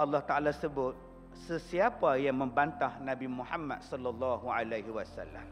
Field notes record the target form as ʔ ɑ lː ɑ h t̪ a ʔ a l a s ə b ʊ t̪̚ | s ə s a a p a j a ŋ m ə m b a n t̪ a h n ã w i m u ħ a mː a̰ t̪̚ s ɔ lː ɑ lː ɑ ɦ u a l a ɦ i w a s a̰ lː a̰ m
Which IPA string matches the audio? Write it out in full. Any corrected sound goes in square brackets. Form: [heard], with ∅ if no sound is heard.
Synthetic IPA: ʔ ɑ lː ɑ h t̪ a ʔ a l a s ə b ʊ t̪̚ | s ə s [i] a p a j a ŋ m ə m b a n t̪ a h n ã [b] i m u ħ a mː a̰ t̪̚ s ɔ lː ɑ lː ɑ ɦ u a l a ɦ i w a s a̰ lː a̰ m